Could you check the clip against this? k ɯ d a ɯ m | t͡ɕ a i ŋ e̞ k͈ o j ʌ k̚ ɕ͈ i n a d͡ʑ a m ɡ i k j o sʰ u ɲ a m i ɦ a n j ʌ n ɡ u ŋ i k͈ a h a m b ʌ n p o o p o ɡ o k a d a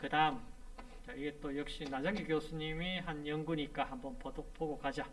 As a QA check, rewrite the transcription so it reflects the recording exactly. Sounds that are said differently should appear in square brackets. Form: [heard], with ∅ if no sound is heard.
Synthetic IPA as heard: k ɯ d a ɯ m | t͡ɕ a i [ɡ] e̞ [t͈] o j ʌ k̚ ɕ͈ i n a d͡ʑ a [ŋ] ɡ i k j o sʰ u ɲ [i] m i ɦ a n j ʌ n ɡ u [ɲ] i k͈ a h a m b ʌ n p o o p o ɡ o k a [d͡ʑ] a